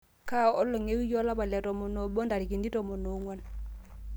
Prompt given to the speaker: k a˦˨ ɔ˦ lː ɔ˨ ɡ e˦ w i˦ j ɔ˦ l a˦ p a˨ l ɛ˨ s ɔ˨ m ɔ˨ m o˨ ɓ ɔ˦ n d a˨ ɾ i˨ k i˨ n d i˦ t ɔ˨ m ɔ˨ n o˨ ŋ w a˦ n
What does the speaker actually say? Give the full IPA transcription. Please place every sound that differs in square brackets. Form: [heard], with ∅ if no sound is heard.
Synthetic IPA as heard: k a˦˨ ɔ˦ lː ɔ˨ [ŋ] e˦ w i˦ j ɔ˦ l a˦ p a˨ l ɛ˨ [t] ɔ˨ m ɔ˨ [n] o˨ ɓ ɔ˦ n d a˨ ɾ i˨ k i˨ n d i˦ t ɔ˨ m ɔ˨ n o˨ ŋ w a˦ n

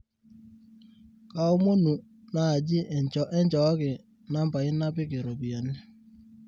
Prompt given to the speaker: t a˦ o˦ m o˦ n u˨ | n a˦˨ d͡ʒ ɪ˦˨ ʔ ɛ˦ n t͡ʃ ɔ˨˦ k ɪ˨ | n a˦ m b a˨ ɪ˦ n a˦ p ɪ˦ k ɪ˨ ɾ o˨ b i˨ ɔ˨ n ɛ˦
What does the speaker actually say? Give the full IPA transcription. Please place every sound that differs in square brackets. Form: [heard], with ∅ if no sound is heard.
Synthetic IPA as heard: [k] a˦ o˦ m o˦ n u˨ | n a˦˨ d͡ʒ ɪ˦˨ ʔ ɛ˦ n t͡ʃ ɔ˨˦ k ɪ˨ | n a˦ m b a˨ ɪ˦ n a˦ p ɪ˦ k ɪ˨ ɾ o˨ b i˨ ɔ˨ n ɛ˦

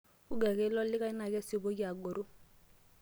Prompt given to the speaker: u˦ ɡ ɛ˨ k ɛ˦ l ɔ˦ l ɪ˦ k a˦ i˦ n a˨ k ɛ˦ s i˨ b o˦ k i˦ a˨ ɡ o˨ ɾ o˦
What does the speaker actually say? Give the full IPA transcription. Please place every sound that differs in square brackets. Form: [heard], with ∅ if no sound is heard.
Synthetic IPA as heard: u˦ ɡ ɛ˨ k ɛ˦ l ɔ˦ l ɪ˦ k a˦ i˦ n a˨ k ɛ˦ s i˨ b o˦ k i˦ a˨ ɡ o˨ ɾ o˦

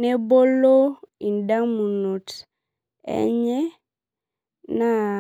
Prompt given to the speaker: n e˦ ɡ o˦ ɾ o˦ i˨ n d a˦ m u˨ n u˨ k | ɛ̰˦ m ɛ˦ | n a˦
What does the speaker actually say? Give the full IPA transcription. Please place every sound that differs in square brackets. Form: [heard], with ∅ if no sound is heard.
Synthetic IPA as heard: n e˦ [b] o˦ [l] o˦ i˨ n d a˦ m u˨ n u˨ [t] | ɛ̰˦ [ɲ] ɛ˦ | n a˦

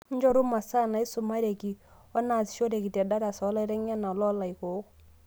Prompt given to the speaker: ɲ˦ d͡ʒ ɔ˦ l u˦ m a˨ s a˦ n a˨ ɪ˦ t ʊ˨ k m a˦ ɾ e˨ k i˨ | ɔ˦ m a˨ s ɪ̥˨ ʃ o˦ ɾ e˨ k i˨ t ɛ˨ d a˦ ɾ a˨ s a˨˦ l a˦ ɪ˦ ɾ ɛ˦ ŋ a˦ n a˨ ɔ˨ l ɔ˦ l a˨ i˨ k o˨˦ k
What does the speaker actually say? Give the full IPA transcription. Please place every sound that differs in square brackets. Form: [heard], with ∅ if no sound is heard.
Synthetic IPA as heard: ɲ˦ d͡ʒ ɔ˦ [ɾ] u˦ m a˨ s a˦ n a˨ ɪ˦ [s] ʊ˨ [∅] m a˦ ɾ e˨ k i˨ | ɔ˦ [n] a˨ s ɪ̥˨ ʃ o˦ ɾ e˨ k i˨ t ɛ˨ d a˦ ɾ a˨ s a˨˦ l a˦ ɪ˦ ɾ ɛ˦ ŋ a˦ n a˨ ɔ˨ l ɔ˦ l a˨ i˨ k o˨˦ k

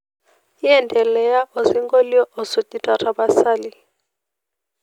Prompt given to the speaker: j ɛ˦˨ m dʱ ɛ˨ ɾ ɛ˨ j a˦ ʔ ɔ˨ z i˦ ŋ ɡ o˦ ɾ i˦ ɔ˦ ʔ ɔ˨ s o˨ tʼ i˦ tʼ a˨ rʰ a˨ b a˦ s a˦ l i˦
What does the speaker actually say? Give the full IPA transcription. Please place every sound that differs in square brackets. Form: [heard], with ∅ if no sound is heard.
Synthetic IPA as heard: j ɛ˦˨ [n] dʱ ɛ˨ [l] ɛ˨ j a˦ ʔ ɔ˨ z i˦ ŋ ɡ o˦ [l] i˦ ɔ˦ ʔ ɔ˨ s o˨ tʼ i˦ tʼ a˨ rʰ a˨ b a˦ s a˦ l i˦

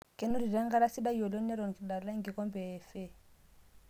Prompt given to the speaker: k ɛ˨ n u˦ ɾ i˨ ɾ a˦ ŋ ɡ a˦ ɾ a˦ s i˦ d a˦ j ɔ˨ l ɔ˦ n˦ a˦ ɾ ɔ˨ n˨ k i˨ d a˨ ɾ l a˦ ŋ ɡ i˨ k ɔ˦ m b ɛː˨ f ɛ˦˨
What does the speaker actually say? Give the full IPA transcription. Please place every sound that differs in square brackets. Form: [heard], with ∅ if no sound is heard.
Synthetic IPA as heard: k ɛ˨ n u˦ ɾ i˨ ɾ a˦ ŋ ɡ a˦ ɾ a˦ s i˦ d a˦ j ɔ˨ l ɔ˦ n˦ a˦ ɾ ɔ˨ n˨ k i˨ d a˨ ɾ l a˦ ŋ ɡ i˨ k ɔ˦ m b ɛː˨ f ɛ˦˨

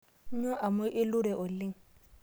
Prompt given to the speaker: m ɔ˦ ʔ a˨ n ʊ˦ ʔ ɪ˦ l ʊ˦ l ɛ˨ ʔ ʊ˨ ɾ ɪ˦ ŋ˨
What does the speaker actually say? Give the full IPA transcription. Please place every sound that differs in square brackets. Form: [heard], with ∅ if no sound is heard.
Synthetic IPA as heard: [ɲ] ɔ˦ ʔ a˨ [m] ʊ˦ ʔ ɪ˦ l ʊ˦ [ɾ] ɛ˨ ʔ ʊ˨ [l] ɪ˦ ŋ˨

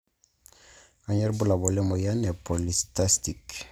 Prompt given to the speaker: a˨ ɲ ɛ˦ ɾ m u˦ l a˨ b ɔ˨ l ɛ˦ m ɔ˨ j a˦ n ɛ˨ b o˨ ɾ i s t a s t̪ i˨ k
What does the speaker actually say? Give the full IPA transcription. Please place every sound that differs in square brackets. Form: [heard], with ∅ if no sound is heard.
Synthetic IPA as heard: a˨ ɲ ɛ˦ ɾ [b] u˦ l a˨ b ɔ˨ l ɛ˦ m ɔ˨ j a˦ n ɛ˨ [p] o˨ [l] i s t a s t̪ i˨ k

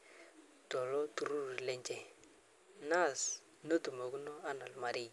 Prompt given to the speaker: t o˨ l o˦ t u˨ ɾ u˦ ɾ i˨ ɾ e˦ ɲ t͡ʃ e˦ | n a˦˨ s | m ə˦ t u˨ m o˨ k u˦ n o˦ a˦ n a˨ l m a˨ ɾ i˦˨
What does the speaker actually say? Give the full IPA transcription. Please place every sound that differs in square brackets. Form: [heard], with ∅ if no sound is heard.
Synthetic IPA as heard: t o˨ l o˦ t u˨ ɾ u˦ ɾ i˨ [l] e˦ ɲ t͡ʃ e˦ | n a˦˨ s | [n] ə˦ t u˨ m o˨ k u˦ n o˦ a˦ n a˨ l m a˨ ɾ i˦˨

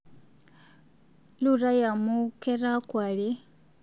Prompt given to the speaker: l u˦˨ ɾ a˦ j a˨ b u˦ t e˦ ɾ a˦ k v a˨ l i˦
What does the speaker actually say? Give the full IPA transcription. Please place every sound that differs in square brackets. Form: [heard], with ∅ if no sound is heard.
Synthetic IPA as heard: l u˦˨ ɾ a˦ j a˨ [m] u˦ [k] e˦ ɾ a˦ k [w] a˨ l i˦

